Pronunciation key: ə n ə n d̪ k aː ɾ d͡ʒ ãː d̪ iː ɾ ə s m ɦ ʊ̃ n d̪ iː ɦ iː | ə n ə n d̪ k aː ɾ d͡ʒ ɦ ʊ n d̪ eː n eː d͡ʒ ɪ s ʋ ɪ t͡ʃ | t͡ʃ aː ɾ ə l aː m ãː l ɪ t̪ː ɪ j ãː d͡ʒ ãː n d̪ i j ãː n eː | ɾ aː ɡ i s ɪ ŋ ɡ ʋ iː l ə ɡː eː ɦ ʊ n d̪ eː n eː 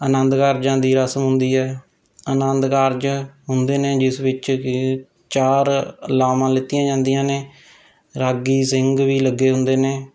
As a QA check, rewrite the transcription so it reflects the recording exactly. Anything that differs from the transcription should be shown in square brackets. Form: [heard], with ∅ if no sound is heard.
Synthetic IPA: ə n ə n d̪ k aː ɾ d͡ʒ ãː d̪ iː ɾ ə s m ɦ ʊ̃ n d̪ iː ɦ [ɛː] | ə n ə n d̪ k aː ɾ d͡ʒ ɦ ʊ n d̪ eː n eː d͡ʒ ɪ s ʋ ɪ t͡ʃ | t͡ʃ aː ɾ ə l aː m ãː l ɪ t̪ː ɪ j ãː d͡ʒ ãː n d̪ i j ãː n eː | ɾ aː ɡ [iː] s ɪ ŋ ɡ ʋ iː l ə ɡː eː ɦ ʊ n d̪ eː n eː